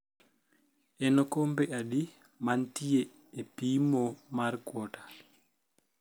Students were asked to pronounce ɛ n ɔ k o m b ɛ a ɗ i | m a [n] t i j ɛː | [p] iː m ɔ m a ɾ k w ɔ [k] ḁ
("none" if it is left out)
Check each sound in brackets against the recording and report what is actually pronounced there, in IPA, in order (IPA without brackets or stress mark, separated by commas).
n, p, t